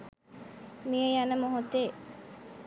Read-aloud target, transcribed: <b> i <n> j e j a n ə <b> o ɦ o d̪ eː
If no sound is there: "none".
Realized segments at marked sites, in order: m, none, m

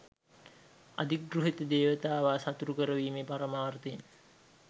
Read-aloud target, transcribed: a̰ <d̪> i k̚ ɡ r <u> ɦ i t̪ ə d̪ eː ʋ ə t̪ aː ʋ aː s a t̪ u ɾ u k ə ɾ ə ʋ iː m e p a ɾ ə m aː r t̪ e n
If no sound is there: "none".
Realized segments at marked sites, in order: d̪, u

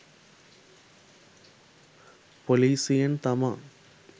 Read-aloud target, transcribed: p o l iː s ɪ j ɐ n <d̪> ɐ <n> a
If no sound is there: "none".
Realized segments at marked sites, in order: t̪, m

